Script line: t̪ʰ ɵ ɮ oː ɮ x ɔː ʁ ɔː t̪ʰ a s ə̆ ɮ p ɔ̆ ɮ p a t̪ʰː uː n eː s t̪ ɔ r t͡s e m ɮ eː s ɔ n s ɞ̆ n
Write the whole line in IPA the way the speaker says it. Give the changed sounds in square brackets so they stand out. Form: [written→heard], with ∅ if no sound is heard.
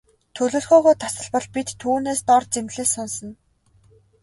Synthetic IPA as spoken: t̪ʰ ɵ ɮ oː ɮ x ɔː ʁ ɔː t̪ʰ a s ə̆ ɮ p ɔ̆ ɮ p [a→i] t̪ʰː uː n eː s t̪ ɔ r t͡s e m ɮ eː s ɔ n s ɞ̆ n